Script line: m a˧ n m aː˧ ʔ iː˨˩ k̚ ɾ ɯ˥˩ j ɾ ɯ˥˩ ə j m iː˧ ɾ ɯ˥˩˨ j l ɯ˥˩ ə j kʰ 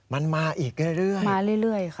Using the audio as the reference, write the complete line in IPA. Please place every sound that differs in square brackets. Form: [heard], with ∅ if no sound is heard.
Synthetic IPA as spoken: m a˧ n m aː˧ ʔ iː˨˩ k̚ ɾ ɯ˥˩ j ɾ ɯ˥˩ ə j m [aː˧] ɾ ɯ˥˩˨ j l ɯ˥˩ ə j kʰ

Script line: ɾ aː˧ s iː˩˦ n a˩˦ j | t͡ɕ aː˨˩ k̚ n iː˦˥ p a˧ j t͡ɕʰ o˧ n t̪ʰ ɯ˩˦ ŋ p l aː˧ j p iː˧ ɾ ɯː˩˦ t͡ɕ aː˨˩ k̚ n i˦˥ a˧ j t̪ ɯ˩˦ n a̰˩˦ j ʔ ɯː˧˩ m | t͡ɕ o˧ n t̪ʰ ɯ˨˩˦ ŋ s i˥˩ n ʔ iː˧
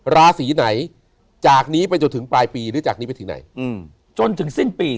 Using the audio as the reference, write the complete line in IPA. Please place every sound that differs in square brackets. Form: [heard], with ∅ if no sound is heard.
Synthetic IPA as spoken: ɾ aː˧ s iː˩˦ n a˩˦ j | t͡ɕ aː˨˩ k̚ n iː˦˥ p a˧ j [t͡ɕ] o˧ n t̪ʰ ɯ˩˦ ŋ p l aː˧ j p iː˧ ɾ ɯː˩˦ t͡ɕ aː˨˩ k̚ n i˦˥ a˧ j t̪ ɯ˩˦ n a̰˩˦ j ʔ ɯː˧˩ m | t͡ɕ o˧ n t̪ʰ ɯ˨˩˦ ŋ s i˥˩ n [p] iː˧

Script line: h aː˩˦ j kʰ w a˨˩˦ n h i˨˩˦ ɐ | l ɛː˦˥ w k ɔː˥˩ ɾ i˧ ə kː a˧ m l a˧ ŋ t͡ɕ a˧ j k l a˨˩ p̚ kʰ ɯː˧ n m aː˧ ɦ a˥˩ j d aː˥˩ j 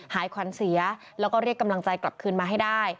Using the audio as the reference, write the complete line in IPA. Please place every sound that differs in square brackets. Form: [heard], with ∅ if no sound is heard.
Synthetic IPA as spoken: h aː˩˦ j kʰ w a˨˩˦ n [s] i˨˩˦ ɐ | l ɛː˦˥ w k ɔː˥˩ ɾ [i˥˩] ə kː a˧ m l a˧ ŋ t͡ɕ a˧ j k l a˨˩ p̚ kʰ ɯː˧ n m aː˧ ɦ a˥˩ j d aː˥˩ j

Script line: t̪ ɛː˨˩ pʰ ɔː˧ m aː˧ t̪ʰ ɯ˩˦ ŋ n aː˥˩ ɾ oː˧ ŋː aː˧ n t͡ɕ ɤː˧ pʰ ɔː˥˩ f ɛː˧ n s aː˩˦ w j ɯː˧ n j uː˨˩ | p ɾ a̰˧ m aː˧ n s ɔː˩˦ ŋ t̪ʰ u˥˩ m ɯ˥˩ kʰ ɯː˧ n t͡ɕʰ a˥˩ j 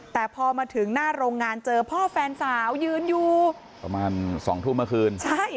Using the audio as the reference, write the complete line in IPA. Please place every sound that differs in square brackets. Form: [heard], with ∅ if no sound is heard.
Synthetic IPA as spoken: t̪ ɛː˨˩ pʰ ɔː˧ m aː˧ t̪ʰ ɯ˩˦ ŋ n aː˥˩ ɾ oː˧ ŋː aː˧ n t͡ɕ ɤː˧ pʰ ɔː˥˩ f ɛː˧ n s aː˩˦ w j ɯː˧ n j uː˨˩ | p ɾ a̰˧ m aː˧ n s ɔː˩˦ ŋ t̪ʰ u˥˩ m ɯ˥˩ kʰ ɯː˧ n t͡ɕʰ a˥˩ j

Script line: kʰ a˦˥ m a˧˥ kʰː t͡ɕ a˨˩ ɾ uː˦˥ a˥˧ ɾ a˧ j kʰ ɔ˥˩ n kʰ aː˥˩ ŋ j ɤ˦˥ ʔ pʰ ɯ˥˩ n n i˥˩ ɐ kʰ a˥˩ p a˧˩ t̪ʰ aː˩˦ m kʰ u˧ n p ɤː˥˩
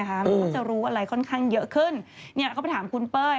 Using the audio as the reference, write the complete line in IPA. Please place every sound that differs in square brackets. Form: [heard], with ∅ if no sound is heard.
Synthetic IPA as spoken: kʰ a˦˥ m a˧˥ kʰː t͡ɕ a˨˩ ɾ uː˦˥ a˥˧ ɾ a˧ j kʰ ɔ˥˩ n kʰ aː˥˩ ŋ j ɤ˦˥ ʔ [kʰ] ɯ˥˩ n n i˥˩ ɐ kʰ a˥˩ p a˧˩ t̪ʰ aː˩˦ m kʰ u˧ n p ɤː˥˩

